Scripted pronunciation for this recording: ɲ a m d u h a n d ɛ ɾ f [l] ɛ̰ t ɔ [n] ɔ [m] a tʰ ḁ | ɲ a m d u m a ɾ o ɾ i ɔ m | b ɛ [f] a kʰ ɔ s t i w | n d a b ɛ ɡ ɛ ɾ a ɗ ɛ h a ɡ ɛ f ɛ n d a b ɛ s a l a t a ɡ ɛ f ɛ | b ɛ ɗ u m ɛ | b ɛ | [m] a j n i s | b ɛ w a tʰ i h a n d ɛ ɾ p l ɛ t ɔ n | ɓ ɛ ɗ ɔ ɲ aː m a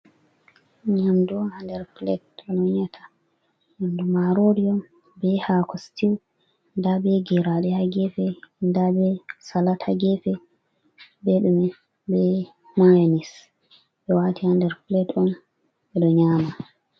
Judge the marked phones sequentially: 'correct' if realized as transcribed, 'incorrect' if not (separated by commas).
correct, correct, incorrect, incorrect, correct